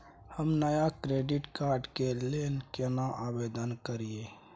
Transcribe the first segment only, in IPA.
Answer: h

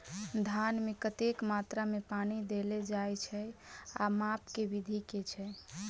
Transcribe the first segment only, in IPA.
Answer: d̪ʱ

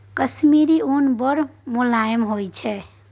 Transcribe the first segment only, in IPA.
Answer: k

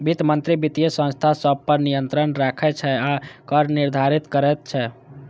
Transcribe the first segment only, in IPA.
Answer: b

